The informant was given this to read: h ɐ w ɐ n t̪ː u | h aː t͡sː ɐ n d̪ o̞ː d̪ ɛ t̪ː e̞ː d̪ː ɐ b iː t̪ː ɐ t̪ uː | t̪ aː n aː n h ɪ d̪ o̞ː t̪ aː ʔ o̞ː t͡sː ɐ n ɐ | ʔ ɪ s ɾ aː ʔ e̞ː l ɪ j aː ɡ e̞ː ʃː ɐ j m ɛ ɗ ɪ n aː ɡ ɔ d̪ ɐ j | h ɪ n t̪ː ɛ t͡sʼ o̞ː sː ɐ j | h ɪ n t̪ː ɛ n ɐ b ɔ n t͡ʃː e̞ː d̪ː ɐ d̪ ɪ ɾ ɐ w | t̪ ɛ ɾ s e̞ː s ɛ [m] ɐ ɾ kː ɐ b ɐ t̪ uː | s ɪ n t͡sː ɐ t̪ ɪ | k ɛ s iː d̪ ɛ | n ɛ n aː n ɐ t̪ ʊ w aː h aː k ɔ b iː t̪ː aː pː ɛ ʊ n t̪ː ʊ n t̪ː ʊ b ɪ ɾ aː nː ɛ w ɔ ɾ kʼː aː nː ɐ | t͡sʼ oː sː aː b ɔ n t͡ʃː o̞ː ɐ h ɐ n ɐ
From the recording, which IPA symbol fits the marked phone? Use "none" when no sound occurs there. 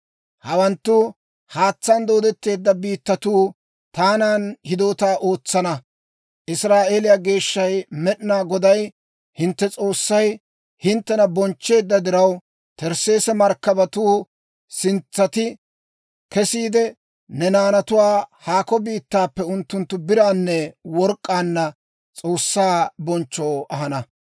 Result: m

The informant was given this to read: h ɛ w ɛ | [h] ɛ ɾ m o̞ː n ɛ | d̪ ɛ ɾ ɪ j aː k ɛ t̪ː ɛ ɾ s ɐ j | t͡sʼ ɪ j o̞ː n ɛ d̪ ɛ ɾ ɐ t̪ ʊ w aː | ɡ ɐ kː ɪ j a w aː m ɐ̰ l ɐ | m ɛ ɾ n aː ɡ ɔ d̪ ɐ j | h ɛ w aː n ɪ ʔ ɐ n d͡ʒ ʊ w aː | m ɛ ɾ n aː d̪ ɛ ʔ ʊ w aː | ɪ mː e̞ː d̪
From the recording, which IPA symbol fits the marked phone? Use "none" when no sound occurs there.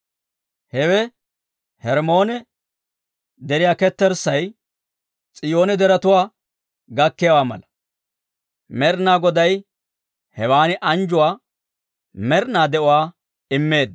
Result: h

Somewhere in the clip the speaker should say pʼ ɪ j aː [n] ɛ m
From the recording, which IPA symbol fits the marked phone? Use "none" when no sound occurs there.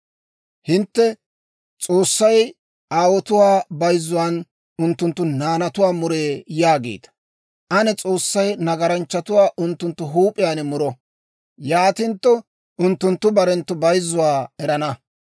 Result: n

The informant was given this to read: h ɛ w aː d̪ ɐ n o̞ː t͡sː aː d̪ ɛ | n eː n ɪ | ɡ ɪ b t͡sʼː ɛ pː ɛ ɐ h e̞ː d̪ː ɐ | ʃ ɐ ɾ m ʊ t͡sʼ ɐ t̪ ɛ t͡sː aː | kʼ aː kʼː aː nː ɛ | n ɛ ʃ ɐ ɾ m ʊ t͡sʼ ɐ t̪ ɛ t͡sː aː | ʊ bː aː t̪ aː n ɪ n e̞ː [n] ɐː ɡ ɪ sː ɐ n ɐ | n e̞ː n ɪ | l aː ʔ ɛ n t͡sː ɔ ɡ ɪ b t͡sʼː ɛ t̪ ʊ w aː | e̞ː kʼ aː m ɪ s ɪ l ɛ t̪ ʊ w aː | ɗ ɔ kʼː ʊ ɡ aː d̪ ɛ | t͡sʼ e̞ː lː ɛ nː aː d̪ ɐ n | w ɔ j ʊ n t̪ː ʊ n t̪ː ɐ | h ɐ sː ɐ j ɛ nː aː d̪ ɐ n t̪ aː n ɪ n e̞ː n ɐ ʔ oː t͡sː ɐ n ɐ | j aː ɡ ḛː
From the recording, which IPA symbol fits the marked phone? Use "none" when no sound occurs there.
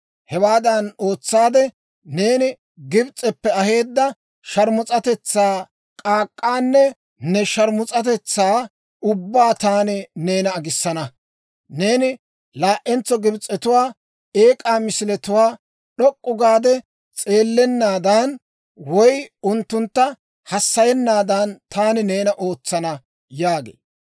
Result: n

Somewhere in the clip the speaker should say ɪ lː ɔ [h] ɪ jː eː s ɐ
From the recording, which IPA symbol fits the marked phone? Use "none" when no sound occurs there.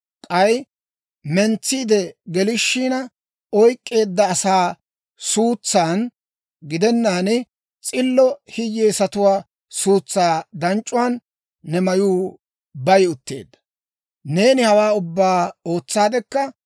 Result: h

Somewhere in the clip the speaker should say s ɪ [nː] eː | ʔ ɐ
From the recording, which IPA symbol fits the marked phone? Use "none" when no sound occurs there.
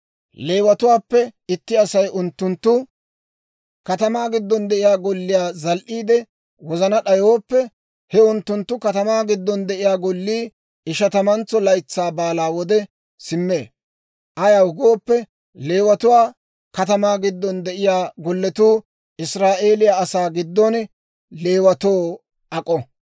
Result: mː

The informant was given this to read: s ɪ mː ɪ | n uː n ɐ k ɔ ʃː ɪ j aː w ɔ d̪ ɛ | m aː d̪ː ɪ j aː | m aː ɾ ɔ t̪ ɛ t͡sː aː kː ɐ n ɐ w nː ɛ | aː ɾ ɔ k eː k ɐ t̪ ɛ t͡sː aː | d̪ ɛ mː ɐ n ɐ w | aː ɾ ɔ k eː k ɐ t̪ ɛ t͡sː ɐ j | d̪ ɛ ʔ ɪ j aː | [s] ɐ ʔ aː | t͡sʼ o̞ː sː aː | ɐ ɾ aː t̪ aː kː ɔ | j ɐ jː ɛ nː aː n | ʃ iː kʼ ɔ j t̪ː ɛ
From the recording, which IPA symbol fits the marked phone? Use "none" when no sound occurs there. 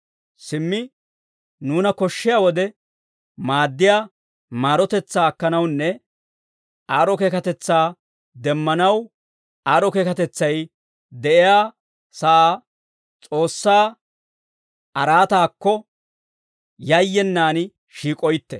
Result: s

